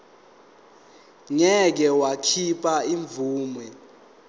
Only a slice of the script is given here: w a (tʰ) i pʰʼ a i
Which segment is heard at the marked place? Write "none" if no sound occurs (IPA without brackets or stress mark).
kʰ